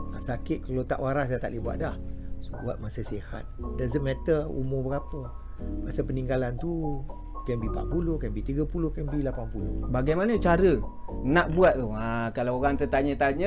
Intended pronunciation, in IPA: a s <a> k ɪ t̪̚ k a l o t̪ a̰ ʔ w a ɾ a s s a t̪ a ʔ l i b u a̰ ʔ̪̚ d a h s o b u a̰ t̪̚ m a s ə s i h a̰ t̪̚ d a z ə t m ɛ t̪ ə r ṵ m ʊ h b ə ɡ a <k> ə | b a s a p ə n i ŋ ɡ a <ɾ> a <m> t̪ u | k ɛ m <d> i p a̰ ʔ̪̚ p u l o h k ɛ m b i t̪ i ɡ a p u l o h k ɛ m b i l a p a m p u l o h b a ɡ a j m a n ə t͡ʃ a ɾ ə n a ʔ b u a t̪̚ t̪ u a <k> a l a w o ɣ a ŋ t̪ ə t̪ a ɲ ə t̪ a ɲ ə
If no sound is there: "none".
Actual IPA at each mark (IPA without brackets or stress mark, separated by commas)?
a, p, l, n, b, k